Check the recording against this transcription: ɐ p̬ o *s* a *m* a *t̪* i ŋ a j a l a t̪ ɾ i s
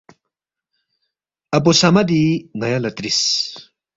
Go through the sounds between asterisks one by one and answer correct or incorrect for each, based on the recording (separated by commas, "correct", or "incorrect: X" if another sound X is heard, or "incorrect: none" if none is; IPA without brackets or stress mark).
correct, correct, incorrect: d̪